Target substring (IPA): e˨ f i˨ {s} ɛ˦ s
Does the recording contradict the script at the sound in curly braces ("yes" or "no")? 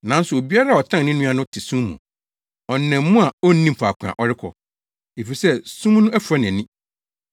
no